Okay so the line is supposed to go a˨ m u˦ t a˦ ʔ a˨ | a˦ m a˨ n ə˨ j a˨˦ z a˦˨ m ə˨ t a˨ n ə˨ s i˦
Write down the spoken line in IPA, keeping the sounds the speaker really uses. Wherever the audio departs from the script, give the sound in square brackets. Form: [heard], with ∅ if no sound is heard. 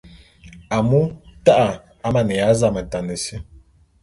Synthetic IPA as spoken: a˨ m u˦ t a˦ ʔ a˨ | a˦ m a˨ n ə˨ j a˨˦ z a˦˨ m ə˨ t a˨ n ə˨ s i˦